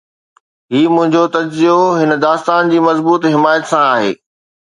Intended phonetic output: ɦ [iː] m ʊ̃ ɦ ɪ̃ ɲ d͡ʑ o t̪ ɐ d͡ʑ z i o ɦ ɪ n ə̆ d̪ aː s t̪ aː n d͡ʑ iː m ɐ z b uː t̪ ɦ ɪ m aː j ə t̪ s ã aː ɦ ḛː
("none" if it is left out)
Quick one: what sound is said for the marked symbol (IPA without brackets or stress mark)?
iː